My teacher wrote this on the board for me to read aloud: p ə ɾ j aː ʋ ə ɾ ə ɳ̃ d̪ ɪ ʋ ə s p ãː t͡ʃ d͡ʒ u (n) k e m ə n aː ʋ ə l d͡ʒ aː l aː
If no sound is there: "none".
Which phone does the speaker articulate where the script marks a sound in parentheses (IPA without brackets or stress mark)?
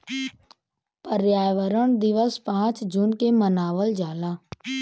n